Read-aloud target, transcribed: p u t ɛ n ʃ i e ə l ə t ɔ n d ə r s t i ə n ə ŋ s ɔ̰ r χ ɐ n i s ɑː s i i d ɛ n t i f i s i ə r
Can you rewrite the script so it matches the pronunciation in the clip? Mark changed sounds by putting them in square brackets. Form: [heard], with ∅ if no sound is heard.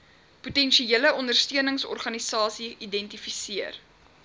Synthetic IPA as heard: p u t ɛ n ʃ i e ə l ə [∅] ɔ n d ə r s t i ə n ə ŋ s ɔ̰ r χ ɐ n i s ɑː s i i d ɛ n t i f i s i ə r